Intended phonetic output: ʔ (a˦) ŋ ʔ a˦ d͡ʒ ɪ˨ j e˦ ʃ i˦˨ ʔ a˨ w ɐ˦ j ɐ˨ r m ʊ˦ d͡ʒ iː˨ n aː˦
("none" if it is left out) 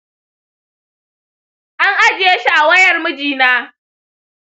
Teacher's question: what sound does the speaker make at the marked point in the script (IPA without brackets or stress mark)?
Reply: a˦